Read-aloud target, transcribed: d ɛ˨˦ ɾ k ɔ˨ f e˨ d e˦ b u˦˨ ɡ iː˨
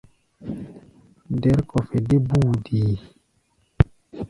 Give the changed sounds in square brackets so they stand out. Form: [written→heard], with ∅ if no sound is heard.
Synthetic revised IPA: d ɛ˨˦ ɾ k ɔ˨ f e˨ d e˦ b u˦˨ [ɡ→d] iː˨